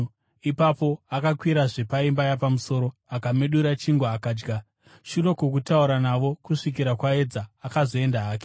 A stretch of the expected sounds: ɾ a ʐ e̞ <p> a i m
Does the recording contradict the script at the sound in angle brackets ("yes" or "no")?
no